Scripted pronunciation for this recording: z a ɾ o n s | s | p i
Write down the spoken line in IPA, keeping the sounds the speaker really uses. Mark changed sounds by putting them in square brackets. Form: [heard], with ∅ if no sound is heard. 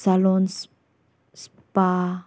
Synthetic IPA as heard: [s] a [l] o n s | s | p [a]